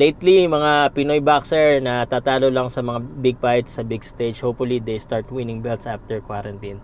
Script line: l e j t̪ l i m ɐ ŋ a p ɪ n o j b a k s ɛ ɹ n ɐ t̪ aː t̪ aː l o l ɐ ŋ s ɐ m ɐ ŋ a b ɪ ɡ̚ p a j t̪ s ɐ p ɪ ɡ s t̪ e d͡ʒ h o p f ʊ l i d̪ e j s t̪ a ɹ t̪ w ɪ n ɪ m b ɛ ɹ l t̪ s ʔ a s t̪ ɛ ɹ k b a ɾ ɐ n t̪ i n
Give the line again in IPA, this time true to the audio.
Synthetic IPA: l e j t̪ l i m ɐ ŋ a p ɪ n o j b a k s ɛ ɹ n ɐ t̪ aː t̪ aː l o l ɐ ŋ s ɐ m ɐ ŋ a b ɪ ɡ̚ p a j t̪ s ɐ b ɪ ɡ s t̪ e d͡ʒ h o p f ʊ l i d̪ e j s t̪ a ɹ t̪ w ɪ n ɪ ŋ b ɛ l t̪ s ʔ a f t̪ ɛ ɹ k w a ɾ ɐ n t̪ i n